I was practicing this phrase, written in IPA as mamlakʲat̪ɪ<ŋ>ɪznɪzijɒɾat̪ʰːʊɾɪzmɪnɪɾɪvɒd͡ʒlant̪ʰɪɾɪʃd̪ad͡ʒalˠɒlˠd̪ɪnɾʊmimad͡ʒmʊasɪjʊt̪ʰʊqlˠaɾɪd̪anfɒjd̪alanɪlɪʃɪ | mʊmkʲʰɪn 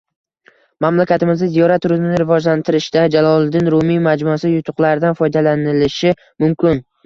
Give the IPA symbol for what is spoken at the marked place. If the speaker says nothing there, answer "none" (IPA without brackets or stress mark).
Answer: m